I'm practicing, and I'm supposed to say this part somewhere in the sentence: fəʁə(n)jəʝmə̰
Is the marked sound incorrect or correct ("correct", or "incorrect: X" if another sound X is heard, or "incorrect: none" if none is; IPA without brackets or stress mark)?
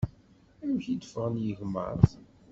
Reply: correct